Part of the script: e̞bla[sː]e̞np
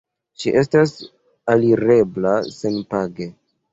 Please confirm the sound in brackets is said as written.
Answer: no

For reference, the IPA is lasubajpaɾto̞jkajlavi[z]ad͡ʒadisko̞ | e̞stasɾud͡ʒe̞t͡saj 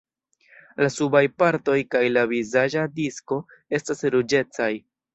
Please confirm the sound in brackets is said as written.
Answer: yes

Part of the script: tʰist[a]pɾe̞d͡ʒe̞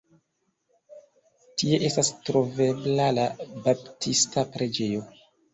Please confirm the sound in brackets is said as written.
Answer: yes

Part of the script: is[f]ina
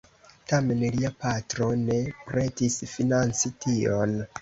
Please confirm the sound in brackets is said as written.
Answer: yes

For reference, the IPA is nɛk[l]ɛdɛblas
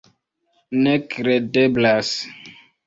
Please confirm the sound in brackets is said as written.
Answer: no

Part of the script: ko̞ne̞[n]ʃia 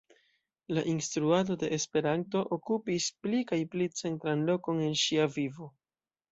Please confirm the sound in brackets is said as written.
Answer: yes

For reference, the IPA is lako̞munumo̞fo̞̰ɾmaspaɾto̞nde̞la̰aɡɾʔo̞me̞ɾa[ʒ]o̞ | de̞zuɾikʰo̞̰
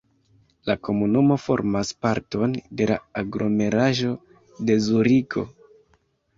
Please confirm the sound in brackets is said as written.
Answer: yes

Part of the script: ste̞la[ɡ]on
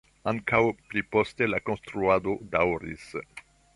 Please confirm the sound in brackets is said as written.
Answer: no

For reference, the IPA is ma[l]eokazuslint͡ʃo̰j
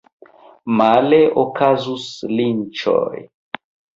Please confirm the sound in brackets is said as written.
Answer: yes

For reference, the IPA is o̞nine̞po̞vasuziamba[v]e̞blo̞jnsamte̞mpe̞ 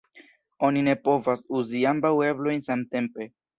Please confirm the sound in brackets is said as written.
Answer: no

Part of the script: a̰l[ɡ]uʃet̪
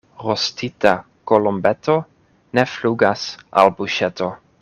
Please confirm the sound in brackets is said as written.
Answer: no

